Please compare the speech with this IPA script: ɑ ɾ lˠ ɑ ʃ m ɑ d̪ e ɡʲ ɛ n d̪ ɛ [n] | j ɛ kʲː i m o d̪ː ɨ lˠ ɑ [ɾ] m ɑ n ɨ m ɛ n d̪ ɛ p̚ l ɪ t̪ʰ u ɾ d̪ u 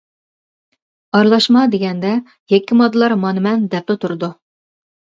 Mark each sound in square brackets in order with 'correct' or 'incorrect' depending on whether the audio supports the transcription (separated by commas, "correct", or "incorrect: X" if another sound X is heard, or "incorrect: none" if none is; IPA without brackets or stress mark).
incorrect: none, correct